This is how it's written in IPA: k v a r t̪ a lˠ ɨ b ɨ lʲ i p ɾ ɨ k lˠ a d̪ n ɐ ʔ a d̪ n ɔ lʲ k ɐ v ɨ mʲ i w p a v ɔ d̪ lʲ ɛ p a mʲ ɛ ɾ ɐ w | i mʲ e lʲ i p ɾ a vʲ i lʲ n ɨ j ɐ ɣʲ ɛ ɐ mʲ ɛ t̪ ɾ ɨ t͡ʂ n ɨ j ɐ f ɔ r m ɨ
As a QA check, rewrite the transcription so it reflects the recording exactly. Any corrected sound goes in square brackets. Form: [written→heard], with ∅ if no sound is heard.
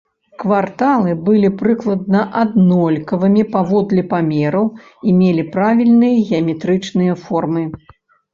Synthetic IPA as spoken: k v a r t̪ a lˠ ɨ b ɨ lʲ i p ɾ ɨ k lˠ [a→ɐ] d̪ n ɐ ʔ a d̪ n ɔ lʲ k ɐ v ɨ mʲ i [w→∅] p a v ɔ d̪ lʲ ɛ p a mʲ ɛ ɾ ɐ w | i mʲ e lʲ i p ɾ a vʲ i lʲ n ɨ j ɐ ɣʲ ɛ ɐ mʲ ɛ t̪ ɾ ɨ t͡ʂ n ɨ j ɐ f ɔ r m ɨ